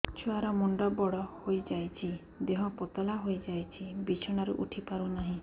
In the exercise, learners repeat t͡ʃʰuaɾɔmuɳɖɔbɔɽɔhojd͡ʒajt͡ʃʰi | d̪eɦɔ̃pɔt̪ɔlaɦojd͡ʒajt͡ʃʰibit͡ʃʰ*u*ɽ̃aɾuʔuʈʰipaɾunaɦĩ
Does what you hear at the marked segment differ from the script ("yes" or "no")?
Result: yes